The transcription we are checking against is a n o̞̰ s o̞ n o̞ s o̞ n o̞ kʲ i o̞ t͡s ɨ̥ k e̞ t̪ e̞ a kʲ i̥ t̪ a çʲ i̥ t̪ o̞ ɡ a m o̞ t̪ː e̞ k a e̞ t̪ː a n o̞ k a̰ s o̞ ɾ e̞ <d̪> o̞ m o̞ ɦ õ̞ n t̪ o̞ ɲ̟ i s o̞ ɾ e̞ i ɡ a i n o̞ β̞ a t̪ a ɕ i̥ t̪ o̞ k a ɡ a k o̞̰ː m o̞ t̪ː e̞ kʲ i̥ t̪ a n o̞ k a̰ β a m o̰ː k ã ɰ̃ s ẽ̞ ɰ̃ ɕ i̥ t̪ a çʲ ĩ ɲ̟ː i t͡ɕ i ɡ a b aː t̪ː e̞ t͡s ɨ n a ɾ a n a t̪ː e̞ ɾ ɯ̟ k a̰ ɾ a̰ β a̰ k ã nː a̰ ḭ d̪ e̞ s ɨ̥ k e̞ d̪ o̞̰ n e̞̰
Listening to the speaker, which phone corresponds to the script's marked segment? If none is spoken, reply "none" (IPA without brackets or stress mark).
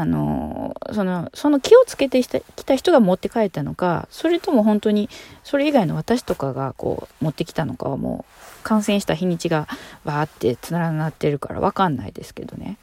t̪